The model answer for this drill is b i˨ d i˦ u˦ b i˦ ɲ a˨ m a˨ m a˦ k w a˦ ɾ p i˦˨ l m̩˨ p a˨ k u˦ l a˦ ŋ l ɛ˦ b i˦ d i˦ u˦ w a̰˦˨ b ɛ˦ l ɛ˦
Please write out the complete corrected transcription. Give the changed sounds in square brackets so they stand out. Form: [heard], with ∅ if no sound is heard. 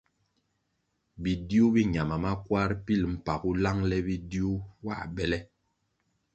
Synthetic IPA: b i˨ d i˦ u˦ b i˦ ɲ a˨ m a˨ m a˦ k w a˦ ɾ p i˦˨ l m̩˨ p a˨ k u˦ l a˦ ŋ l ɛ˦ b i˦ d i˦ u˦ w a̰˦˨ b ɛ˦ l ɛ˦

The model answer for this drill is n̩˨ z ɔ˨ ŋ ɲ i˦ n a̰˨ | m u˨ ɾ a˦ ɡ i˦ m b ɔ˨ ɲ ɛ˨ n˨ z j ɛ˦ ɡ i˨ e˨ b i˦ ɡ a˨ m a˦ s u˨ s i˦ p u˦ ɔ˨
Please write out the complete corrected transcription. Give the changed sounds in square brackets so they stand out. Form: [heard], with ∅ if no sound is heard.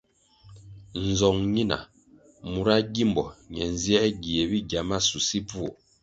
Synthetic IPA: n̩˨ z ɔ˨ ŋ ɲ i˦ n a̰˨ | m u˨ ɾ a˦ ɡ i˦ m b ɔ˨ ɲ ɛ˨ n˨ z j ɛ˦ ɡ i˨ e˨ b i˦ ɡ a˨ m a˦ s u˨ s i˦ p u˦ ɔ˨

